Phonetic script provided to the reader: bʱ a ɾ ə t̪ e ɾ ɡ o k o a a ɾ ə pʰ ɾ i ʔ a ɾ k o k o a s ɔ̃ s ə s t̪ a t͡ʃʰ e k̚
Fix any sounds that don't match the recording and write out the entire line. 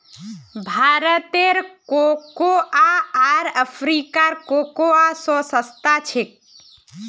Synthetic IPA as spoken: bʱ a ɾ ə t̪ e ɾ k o k o a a ɾ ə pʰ ɾ i k a ɾ k o k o a s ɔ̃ s ə s t̪ a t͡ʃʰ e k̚